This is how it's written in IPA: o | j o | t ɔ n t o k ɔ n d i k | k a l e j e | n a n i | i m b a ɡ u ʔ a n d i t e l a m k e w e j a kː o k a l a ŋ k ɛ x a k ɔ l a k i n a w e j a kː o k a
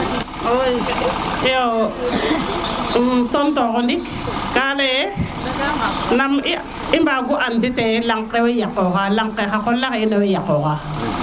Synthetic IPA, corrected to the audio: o | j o | t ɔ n t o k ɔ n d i k | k a l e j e | n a m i | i m b a ɡ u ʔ a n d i t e l a ŋ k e w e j a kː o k a l a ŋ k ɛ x a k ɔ l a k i n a w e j a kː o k a